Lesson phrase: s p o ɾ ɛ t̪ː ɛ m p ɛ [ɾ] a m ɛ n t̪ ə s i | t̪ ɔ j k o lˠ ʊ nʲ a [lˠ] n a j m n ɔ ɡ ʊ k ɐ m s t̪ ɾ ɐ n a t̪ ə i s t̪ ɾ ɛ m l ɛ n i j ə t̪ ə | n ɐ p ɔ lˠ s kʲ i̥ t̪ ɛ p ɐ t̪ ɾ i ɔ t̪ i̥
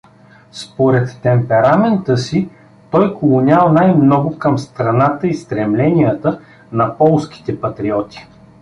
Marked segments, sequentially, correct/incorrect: correct, correct

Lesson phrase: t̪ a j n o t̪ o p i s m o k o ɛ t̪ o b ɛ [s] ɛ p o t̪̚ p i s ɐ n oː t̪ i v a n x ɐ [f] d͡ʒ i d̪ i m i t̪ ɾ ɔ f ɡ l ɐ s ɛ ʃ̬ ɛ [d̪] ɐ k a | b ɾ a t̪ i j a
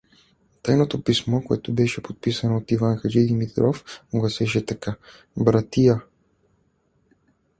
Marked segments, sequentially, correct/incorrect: incorrect, incorrect, incorrect

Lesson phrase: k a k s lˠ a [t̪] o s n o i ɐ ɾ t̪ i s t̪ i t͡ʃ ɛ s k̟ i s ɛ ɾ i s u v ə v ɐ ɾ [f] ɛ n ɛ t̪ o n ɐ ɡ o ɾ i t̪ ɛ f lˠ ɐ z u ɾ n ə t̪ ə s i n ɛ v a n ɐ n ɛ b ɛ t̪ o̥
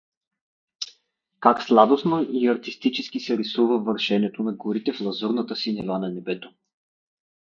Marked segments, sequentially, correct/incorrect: incorrect, incorrect

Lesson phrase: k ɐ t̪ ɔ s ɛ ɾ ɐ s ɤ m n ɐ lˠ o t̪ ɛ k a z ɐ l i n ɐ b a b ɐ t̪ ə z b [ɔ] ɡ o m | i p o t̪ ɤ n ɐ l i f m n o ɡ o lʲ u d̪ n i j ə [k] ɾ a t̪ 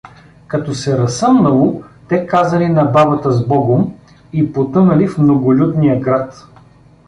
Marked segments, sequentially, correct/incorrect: correct, incorrect

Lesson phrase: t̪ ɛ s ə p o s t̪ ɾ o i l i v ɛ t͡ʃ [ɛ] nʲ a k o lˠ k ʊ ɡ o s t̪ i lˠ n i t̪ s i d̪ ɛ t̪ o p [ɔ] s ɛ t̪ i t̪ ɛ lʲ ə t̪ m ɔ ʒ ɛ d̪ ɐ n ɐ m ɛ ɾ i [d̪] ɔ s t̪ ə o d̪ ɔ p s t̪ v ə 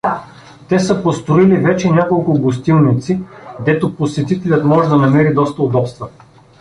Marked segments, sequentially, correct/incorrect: correct, incorrect, correct

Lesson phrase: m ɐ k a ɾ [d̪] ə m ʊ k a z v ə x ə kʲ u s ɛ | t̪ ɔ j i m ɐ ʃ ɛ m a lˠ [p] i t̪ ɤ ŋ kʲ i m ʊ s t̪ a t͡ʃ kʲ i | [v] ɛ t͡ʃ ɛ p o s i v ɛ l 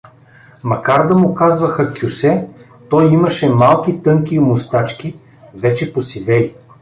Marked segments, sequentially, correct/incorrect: correct, incorrect, correct

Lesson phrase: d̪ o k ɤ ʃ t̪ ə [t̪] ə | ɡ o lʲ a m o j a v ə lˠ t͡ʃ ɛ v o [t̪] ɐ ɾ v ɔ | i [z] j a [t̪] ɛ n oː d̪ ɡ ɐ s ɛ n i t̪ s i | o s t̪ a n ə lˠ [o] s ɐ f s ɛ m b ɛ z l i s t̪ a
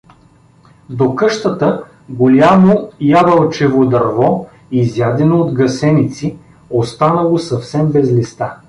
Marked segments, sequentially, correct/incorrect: correct, incorrect, correct, incorrect, correct

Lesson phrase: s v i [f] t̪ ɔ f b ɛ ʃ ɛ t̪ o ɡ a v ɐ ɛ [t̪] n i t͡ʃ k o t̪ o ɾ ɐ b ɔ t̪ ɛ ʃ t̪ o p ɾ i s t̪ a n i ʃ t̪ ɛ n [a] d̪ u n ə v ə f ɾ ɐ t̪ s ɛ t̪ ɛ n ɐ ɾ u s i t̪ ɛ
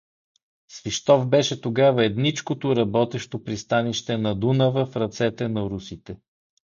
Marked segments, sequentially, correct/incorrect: incorrect, incorrect, incorrect

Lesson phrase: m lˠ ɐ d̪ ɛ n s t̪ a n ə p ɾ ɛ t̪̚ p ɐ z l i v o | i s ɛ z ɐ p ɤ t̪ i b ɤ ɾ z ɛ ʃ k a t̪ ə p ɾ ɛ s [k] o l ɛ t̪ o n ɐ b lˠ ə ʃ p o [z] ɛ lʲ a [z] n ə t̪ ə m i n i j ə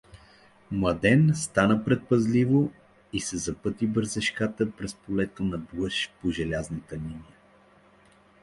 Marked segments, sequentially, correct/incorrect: incorrect, incorrect, correct

